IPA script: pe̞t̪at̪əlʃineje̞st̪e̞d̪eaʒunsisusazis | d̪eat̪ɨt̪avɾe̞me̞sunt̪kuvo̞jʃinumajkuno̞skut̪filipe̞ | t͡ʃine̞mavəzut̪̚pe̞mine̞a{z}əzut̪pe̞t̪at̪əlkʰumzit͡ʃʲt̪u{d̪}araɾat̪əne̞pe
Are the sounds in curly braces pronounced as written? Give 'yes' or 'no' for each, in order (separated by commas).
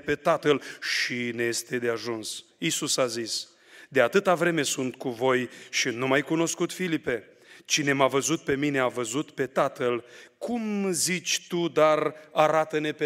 no, yes